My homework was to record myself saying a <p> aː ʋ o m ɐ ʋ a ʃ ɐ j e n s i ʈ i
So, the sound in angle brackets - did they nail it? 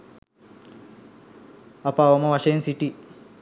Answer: yes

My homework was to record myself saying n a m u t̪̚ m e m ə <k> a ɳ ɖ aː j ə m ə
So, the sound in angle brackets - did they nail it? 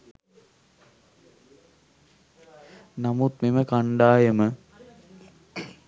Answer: yes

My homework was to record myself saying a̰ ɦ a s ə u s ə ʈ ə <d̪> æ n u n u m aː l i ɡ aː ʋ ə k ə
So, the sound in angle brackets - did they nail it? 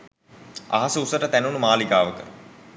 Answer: no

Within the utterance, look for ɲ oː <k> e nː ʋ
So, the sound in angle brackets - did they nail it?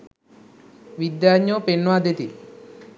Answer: no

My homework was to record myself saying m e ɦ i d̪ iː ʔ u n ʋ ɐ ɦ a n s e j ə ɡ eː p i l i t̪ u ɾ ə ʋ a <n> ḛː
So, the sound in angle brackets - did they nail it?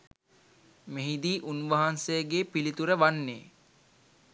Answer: no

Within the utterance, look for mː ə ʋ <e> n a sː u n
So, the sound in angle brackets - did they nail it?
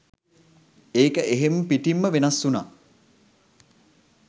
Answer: yes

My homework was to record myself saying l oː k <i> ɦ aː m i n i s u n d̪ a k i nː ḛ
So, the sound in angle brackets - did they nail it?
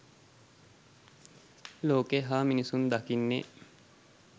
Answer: no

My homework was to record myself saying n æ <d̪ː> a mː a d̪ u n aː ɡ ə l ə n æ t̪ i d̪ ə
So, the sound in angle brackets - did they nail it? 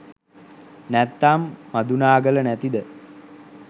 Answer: no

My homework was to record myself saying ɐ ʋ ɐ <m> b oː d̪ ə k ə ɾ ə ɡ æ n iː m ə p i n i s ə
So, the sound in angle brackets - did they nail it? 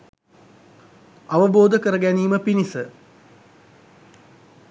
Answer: no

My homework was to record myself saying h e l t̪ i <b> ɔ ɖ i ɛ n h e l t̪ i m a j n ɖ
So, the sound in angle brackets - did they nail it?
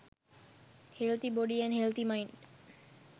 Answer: yes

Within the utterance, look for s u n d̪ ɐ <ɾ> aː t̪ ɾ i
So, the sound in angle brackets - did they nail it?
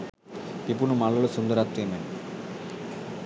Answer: yes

